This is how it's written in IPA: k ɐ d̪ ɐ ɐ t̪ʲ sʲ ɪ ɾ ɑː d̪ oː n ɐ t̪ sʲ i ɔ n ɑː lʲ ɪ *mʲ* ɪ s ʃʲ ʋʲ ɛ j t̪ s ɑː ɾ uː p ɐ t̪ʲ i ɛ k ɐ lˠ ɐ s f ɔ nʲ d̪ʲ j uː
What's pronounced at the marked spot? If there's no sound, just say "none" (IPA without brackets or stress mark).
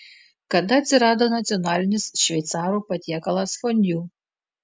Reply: nʲ